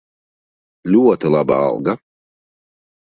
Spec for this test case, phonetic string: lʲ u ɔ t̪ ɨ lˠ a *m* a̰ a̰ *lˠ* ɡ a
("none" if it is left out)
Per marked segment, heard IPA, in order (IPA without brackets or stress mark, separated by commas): b, lˠ